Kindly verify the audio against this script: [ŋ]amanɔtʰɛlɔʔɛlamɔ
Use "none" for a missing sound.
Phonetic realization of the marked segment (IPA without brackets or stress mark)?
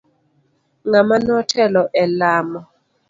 ŋ